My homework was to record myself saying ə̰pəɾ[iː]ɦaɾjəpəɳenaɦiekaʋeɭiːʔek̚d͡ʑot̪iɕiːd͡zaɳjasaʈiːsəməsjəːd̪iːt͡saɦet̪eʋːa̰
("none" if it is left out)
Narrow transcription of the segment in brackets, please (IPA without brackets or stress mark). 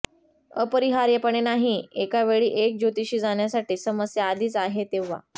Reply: i